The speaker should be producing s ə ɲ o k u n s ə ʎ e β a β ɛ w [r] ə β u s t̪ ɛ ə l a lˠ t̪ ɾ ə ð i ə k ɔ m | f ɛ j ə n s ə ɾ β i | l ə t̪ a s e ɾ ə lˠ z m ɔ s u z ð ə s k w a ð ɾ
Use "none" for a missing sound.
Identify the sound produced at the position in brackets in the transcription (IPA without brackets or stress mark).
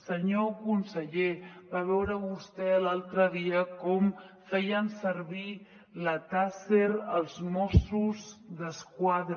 ɾ